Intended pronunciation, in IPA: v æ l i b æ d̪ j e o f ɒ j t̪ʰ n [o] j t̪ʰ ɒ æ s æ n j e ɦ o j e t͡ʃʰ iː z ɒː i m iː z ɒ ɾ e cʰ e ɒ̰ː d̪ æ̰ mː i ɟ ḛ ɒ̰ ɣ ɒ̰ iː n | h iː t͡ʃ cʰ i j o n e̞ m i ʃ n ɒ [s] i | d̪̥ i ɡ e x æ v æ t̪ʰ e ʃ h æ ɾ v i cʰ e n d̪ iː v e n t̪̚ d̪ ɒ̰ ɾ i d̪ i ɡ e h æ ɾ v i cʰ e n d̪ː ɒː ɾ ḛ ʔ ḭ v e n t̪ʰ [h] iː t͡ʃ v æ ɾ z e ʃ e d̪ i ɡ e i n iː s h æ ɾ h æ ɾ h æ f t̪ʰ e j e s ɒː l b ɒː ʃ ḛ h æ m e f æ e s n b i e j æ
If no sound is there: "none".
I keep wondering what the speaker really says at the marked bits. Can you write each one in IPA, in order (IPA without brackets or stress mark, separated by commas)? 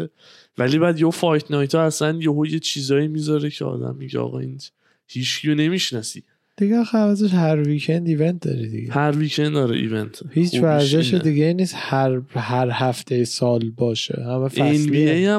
ɒ, s, h